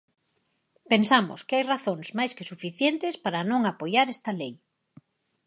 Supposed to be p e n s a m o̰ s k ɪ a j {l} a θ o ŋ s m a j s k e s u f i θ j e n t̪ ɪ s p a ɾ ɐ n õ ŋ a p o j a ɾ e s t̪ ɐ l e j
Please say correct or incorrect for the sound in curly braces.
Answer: incorrect